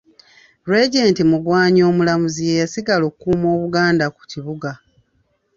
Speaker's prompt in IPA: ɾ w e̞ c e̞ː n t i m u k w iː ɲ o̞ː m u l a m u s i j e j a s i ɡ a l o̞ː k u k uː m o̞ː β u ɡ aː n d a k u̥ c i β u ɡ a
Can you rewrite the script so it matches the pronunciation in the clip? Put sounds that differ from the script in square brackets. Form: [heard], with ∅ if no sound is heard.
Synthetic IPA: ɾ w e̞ [ɟ] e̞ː n t i m u [ɡ] w [aː] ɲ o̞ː m u l a m u [z] i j e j a s i ɡ a l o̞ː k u k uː m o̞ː β u ɡ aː n d a k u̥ c i β u ɡ a

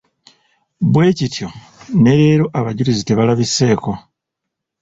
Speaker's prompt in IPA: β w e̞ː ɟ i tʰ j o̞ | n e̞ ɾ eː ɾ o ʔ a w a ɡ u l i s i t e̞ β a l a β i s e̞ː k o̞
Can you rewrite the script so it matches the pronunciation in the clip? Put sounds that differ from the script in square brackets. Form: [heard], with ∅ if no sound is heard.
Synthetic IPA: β w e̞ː [c] i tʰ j o̞ | n e̞ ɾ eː ɾ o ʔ a [β] a [ɟ] u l i [z] i t e̞ β a l a β i s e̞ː k o̞

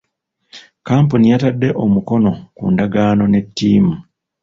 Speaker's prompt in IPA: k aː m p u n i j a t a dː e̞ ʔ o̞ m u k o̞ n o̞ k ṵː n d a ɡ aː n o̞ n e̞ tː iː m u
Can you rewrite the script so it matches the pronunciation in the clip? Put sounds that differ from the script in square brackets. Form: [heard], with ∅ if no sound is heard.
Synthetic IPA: k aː m p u n i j a t a dː e̞ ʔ o̞ m u k o̞ n o̞ k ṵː n d a ɡ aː n o̞ n e̞ tː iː m u

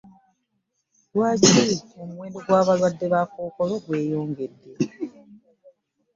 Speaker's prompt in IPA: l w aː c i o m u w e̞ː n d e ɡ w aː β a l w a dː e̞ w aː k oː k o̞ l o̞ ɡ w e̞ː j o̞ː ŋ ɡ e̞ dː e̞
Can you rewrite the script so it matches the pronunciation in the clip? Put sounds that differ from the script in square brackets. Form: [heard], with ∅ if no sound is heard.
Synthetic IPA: l w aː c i o m u w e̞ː n d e ɡ w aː β a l w a dː e̞ [β] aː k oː k o̞ l o̞ ɡ w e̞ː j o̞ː ŋ ɡ e̞ dː e̞

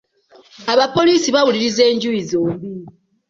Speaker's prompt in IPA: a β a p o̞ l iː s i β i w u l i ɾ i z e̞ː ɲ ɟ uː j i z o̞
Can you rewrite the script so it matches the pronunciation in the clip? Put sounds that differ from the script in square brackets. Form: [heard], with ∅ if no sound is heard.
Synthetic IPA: a β a p o̞ l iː s i β [a] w u l i ɾ i z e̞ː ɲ ɟ [u] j i z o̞

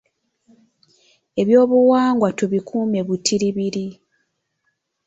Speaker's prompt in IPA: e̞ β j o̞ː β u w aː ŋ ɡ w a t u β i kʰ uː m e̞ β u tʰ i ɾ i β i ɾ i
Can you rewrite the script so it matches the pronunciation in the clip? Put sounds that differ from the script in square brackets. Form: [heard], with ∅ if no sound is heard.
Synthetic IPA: e̞ β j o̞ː β u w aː ŋ ɡ w a t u β i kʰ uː m e̞ β u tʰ i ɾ i β i ɾ i

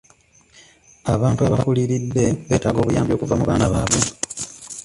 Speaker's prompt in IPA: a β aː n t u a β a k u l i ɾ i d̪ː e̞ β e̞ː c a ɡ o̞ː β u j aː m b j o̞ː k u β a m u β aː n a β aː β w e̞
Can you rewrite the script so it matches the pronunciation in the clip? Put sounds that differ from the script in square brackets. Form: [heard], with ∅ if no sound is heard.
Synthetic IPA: a β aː n t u a β a k u l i ɾ i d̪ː e̞ β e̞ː [t] a ɡ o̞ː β u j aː m b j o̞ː k u [v] a m u β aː n a β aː β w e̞

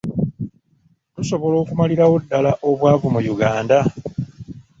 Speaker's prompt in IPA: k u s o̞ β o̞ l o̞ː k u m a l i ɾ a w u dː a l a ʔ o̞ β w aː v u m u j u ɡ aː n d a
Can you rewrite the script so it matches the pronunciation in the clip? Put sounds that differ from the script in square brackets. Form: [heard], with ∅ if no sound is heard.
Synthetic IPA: [t] u s o̞ β o̞ l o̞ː k u m a l i ɾ a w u dː a l a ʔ o̞ β w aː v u m u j u ɡ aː n d a

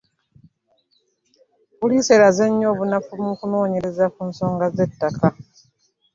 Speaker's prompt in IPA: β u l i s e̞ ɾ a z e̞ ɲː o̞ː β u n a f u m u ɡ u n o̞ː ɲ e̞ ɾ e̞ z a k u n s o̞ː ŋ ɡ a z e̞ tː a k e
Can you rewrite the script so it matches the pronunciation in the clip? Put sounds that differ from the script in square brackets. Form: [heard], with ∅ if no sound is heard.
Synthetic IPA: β u l i s e̞ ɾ a z e̞ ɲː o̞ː β u n a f u m u [k] u n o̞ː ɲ e̞ ɾ e̞ z a k u n s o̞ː ŋ ɡ a z e̞ tː a k [a]

